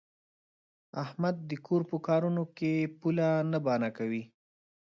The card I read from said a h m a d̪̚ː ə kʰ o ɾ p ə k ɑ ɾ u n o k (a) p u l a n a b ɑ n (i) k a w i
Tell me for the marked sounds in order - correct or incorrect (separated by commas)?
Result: incorrect, incorrect